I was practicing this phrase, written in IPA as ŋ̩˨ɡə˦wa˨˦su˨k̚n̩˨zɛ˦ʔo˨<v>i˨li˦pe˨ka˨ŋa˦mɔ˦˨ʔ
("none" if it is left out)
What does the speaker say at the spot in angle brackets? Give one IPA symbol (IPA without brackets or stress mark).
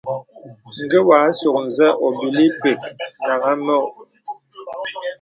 b